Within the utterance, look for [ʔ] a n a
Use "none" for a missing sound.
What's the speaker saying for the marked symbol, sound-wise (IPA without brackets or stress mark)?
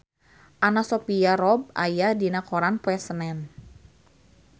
ʔ